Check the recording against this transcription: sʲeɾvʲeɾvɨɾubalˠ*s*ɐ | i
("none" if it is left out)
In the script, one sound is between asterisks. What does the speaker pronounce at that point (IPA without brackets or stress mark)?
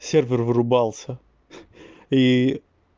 s